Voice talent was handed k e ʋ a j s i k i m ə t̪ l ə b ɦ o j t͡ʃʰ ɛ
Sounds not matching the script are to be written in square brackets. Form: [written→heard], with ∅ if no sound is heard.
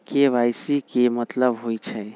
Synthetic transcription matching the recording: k e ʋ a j s i k [i→e] m ə t̪ l ə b ɦ o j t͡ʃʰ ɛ